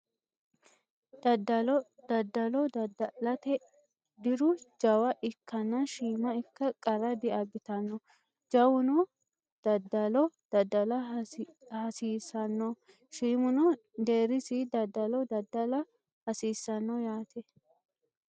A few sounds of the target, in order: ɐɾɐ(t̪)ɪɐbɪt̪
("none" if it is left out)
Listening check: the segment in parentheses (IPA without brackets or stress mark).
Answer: d̪